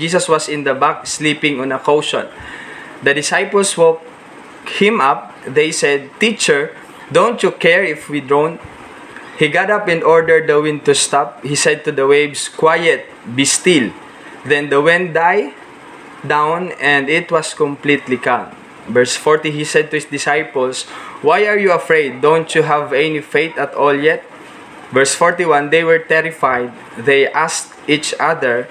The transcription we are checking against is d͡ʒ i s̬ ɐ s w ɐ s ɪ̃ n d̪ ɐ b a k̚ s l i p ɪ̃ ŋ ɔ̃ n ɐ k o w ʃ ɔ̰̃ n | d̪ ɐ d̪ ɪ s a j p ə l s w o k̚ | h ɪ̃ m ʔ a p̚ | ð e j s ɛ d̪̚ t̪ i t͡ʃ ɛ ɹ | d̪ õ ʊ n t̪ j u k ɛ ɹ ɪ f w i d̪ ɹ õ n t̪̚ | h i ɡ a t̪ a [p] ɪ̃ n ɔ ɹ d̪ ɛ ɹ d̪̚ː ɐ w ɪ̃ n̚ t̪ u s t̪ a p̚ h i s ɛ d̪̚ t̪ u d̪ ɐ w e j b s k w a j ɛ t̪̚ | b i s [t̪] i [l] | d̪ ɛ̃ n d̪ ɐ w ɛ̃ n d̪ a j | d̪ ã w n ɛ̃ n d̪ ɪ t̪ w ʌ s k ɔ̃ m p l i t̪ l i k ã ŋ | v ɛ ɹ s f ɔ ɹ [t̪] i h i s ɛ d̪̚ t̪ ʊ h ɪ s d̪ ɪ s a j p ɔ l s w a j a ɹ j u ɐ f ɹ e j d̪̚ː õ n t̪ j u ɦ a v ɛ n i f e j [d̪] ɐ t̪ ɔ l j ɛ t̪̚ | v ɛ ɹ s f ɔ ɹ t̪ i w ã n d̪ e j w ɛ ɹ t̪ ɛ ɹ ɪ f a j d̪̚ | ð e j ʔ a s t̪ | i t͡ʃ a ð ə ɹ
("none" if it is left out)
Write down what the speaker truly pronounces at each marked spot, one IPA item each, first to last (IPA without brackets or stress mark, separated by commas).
p, t̪, l, t̪, t̪